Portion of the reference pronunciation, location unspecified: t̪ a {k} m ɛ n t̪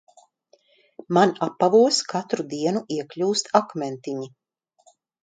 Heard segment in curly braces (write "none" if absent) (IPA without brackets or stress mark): k